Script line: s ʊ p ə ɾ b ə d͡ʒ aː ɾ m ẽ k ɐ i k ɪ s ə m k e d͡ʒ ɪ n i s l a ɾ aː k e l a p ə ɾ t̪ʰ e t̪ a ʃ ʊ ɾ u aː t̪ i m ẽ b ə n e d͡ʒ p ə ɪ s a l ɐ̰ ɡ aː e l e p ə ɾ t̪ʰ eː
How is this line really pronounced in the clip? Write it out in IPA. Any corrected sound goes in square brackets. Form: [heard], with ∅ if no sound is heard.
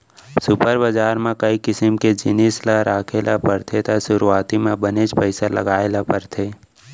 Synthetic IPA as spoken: s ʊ p ə ɾ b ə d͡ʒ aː ɾ m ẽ k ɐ i k ɪ s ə m k e d͡ʒ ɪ n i s l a ɾ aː [kʰ] e l a p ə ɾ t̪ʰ e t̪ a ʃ ʊ ɾ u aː t̪ i m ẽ b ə n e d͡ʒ p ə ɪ s a l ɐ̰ ɡ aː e l [a] p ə ɾ t̪ʰ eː